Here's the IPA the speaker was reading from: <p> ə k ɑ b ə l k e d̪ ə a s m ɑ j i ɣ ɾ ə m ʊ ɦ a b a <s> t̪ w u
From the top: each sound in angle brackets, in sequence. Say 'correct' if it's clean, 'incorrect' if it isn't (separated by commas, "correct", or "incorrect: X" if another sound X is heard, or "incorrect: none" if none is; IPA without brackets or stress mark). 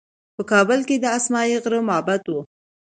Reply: correct, incorrect: none